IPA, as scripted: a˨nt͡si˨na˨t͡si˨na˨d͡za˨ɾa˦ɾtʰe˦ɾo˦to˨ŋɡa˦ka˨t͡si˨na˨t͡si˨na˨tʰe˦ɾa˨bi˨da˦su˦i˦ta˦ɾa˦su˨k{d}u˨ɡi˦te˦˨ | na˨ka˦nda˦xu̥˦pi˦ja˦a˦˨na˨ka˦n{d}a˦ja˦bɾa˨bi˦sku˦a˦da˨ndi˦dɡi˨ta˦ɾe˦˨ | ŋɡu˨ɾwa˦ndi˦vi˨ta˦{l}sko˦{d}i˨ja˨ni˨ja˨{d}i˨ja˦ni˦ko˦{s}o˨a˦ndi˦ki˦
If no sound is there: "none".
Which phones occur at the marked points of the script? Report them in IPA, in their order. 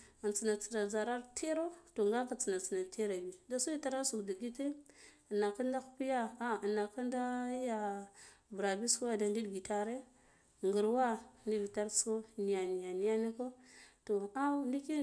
d, d, ɾ, n, n, t

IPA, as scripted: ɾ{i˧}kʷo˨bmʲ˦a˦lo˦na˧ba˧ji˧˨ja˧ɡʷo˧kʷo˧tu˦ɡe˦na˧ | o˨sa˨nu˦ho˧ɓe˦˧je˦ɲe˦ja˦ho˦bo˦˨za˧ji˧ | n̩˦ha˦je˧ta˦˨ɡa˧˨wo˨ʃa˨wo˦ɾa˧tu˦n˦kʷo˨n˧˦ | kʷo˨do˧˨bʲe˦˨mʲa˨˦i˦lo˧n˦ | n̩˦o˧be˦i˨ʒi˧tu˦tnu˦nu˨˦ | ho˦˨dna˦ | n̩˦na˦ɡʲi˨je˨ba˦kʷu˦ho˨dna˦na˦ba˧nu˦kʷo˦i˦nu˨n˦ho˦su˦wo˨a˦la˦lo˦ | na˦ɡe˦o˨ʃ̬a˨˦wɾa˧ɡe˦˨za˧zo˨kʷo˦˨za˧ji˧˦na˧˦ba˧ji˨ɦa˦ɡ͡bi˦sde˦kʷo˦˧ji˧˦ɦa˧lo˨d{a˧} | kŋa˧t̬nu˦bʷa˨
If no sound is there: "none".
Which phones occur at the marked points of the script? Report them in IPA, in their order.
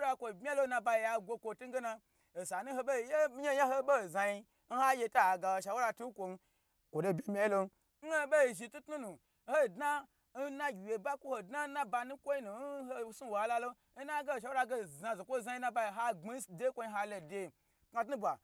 a˧, e˧

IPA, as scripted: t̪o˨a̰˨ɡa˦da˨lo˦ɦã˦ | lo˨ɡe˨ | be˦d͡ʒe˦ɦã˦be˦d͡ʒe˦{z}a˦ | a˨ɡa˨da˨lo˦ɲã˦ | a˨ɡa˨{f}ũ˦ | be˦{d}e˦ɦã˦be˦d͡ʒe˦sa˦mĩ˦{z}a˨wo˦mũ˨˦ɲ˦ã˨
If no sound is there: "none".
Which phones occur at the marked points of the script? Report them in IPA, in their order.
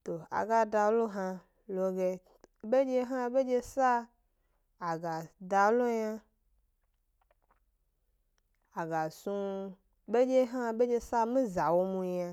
s, s, d͡ʒ, z

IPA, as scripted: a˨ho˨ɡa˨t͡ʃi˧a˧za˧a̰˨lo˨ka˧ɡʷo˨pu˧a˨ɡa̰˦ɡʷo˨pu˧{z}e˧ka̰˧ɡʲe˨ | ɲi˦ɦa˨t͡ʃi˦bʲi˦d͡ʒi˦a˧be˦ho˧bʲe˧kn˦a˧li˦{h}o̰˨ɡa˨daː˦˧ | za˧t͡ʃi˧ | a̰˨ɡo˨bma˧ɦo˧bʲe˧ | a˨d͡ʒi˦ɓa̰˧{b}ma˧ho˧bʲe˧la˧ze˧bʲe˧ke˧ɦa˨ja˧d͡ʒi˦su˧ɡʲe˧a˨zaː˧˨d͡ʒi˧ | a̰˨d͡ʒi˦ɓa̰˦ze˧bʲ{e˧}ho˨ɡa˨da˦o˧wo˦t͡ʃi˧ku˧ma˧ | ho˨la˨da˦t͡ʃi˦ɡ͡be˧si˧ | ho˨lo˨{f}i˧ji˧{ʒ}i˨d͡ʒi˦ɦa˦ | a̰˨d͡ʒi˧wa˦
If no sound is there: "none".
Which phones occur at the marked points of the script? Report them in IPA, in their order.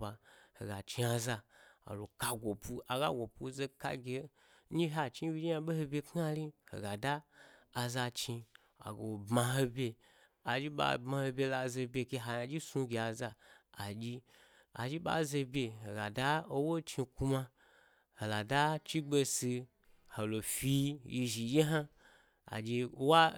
z, h, b, e˧, f, ʒ

